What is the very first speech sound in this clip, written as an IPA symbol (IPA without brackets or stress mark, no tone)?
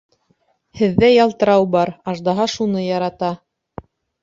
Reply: h